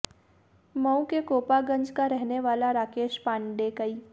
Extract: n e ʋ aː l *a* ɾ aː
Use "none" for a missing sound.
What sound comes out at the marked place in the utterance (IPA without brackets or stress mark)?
a